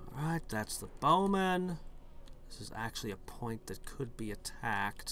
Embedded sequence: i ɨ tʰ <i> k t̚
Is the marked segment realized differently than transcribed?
yes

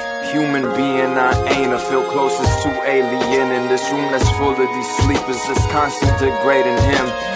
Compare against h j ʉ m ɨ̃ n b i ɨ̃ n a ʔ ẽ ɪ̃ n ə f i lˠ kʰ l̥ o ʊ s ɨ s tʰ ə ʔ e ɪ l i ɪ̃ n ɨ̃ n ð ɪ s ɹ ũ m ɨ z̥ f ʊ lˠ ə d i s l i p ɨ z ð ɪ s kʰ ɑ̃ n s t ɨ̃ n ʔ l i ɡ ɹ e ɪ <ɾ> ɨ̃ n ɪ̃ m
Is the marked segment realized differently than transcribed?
no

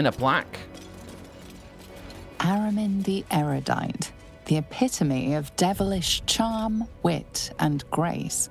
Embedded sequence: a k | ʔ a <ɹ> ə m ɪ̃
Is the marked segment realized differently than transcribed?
no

